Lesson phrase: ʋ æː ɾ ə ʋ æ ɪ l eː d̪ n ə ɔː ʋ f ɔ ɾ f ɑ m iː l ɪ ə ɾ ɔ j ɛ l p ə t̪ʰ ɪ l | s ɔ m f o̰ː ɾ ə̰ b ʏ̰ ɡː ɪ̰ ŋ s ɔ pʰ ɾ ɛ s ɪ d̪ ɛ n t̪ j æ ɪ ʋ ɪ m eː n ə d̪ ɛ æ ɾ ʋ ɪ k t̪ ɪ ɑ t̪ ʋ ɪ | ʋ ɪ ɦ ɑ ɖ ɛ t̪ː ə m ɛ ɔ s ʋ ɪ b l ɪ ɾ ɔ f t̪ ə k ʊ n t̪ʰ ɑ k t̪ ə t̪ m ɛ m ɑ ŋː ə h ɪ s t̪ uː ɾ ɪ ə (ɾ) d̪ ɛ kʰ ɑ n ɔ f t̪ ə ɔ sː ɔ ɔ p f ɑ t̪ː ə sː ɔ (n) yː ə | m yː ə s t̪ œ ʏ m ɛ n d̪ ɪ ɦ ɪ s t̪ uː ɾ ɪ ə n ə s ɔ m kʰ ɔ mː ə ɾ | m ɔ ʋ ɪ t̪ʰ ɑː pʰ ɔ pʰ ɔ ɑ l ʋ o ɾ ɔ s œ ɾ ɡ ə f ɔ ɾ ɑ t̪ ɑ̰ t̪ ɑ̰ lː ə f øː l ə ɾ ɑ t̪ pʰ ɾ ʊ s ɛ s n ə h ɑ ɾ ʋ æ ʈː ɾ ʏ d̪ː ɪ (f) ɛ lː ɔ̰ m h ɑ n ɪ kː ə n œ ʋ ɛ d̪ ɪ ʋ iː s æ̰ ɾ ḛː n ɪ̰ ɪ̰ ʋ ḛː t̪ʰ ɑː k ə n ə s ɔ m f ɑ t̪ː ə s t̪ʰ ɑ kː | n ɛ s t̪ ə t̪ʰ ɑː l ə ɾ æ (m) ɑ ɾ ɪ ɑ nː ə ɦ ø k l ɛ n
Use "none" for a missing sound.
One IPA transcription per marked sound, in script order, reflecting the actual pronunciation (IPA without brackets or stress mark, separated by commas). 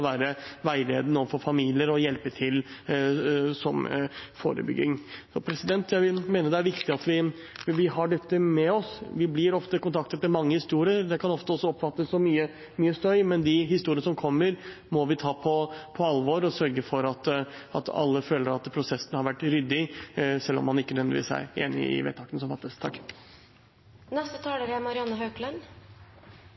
ɾ, m, s, m